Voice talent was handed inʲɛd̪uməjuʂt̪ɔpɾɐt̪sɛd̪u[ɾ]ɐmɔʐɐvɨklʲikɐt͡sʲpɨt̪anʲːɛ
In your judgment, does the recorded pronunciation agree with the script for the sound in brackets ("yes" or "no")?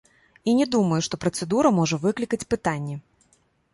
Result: yes